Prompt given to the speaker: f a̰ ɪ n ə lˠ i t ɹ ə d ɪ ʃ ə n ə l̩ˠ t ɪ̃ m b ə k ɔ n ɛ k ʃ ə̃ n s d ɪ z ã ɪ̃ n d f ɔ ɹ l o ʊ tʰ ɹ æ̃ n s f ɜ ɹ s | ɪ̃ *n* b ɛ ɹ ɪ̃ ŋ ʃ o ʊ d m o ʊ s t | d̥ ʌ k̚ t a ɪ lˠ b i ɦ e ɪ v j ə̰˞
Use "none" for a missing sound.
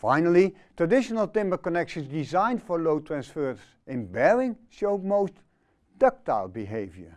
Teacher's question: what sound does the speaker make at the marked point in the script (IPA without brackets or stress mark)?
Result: n